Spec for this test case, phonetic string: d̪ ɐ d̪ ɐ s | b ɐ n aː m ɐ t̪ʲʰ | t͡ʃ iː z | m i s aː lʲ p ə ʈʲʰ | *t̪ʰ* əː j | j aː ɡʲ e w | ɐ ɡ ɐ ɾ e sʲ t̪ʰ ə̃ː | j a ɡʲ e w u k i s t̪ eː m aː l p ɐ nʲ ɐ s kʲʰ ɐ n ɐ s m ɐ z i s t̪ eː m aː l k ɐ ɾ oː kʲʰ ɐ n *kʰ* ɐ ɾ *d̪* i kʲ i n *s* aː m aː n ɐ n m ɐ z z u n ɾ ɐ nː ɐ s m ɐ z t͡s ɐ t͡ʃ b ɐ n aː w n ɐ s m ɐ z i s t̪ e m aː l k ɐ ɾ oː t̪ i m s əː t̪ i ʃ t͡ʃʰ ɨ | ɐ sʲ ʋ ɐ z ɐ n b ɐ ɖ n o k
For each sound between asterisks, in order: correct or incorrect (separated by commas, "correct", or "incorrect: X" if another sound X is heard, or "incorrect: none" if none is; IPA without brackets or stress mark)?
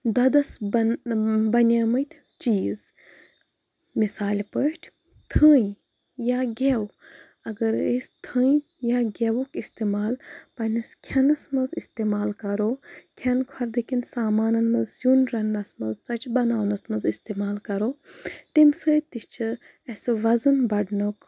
correct, correct, correct, correct